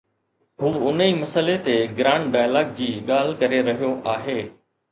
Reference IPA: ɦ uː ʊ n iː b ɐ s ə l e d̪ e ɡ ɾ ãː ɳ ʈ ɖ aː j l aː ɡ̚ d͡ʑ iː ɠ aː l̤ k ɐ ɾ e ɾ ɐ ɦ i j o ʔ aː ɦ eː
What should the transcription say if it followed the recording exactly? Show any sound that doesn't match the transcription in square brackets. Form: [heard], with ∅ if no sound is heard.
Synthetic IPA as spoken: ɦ uː ʊ n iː [m] ɐ s ə l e [t̪] e ɡ ɾ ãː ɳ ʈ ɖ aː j l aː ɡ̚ d͡ʑ iː ɠ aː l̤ k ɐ ɾ e ɾ ɐ ɦ i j o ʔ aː ɦ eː